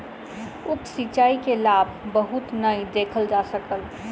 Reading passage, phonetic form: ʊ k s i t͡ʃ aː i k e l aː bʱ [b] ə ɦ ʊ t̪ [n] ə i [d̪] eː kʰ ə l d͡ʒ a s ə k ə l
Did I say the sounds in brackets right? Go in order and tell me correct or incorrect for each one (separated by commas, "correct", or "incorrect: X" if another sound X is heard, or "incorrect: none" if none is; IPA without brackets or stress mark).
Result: correct, correct, correct